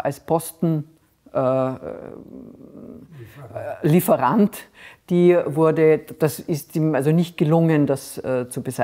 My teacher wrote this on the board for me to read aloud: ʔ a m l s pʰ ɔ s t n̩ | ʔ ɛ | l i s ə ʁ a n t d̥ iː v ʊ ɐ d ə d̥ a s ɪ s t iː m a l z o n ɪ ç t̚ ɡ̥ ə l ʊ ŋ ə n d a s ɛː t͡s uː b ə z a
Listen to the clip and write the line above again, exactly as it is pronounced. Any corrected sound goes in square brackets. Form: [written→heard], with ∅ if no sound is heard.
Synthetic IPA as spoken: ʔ a [m→∅] l s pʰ ɔ s t n̩ | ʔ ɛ | l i [s→f] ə ʁ a n t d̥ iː v ʊ ɐ d ə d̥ a s ɪ s t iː m a l z o n ɪ ç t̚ ɡ̥ ə l ʊ ŋ ə n d a s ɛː t͡s [uː→u] b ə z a